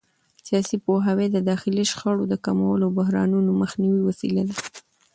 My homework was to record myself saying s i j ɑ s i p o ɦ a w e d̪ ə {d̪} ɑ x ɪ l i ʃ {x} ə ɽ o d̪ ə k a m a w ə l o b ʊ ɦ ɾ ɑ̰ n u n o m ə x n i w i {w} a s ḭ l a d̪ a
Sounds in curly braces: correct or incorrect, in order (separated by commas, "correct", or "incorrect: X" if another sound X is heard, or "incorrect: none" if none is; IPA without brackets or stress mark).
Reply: correct, correct, correct